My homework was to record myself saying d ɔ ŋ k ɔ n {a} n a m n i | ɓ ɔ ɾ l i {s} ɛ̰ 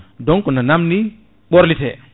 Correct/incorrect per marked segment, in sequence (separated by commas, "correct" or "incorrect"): correct, incorrect